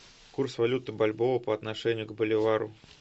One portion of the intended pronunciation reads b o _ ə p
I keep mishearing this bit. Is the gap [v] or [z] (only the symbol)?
v